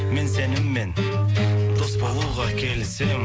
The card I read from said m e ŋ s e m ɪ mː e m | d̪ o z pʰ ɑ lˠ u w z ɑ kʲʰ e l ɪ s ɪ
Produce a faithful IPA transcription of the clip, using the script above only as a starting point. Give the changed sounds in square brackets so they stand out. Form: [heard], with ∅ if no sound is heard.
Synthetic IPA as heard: m e [n] s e [n] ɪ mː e [n] | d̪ o [s] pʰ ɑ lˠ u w [ʁ] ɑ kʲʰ e l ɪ s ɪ